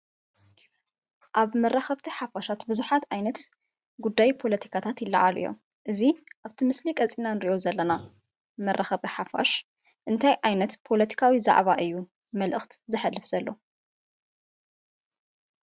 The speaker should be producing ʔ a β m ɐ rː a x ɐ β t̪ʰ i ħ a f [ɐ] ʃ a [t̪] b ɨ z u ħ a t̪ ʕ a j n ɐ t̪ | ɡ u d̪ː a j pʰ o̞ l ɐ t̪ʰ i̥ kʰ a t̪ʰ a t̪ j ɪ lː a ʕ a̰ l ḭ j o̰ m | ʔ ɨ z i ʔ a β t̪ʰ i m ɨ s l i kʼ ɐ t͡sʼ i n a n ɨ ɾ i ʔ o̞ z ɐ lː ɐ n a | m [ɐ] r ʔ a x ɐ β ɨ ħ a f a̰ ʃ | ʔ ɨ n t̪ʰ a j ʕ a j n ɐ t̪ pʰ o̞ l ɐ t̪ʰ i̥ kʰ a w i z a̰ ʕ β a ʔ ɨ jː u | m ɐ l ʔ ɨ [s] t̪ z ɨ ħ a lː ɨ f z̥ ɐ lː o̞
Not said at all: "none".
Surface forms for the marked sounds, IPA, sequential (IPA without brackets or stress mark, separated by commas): a, t̪, ɐ, x